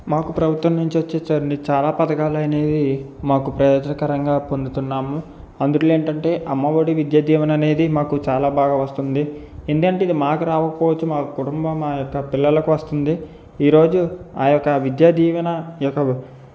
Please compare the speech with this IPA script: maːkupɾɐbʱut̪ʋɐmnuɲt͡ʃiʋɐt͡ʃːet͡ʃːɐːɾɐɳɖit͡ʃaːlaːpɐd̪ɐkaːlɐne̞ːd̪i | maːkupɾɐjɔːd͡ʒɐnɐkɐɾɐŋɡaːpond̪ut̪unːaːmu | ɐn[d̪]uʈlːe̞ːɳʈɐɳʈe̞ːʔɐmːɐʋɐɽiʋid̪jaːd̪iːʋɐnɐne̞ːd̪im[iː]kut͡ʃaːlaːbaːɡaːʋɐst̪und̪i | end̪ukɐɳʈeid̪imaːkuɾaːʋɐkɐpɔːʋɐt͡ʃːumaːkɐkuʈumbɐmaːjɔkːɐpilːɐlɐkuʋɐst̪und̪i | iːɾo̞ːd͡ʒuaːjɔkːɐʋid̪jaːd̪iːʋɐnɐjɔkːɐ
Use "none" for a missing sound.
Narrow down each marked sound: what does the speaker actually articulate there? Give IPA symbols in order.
d̪, aː

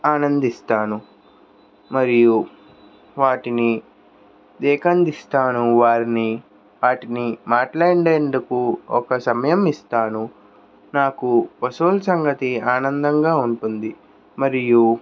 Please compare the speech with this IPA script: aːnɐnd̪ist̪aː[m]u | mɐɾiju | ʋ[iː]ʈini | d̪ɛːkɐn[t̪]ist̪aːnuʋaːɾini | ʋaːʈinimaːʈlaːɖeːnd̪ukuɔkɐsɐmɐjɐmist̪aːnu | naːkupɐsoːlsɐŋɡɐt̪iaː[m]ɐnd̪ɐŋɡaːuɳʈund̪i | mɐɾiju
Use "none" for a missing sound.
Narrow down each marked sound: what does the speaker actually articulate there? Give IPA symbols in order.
n, aː, d̪, n

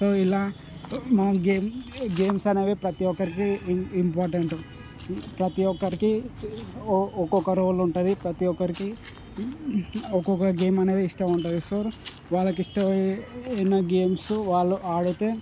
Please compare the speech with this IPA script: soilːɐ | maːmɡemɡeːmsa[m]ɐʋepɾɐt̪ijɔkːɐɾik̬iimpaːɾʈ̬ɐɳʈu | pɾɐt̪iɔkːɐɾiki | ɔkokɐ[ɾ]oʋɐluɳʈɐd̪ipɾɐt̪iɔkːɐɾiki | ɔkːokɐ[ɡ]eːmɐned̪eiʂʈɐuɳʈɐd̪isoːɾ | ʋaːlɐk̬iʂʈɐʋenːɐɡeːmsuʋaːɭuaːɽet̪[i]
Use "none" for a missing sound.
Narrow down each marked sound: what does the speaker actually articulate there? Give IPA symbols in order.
n, ɾ, ɡ, e

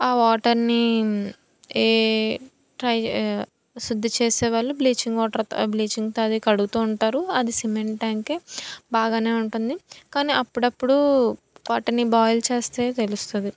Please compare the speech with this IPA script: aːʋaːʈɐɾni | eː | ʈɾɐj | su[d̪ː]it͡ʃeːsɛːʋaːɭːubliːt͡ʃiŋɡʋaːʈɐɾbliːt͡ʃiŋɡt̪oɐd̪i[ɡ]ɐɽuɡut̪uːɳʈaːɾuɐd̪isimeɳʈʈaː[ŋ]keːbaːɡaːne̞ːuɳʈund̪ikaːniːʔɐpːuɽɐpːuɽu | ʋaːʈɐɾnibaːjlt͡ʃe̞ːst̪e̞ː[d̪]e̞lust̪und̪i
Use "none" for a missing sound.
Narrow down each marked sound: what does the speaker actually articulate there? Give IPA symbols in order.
d̪ː, k, ŋ, t̪

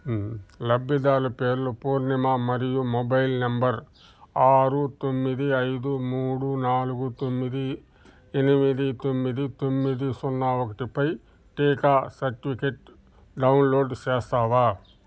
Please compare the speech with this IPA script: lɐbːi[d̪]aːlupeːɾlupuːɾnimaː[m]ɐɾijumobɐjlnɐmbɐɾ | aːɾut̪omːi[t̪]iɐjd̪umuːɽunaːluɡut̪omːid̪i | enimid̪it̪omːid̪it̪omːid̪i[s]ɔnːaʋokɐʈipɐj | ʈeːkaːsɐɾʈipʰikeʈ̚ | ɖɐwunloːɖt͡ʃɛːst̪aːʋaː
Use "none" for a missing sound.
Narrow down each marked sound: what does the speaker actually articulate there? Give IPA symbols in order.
d̪, m, d̪, s

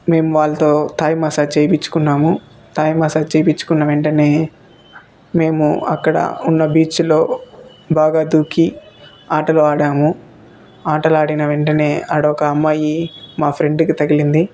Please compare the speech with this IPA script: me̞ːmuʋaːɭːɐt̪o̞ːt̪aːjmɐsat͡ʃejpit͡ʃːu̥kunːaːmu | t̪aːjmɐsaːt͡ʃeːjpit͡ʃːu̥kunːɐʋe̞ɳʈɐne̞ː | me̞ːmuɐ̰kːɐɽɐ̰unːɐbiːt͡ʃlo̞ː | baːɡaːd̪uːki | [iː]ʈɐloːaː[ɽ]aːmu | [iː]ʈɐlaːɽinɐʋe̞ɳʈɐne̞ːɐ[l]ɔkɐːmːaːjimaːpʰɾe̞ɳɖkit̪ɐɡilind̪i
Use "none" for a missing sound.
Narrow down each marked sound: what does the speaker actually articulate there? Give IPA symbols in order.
aː, ɽ, aː, ɽ

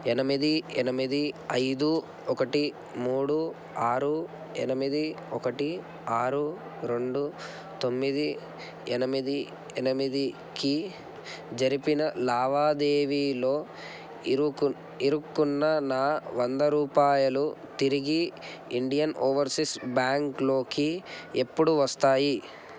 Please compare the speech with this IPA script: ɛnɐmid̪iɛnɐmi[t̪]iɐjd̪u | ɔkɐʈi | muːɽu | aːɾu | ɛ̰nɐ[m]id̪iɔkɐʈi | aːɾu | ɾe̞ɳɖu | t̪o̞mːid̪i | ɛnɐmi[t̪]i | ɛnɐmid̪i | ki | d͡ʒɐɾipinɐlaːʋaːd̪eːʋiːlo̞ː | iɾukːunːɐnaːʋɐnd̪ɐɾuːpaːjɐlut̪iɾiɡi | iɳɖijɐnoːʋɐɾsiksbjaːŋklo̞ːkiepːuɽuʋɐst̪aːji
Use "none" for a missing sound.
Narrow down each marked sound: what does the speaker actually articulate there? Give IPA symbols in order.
d̪, m, d̪

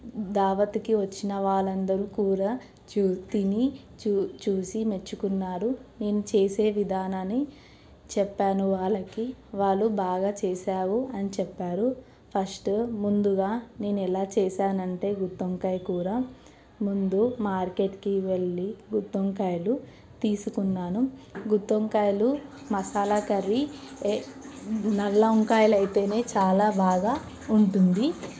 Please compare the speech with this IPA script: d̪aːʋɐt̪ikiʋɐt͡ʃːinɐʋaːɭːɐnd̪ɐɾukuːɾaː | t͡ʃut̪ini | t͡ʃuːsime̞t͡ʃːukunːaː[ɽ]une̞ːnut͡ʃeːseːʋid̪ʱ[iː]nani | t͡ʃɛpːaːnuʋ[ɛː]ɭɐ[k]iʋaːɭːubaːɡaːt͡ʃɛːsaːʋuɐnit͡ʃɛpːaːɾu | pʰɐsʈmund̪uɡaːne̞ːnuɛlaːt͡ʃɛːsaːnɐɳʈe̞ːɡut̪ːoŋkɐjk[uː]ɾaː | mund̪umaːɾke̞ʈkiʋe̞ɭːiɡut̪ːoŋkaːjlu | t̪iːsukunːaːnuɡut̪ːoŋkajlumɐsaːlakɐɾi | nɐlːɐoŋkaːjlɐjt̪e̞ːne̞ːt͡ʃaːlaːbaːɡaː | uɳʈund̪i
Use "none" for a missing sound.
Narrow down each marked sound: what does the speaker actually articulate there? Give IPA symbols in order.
ɾ, aː, aː, k, uː

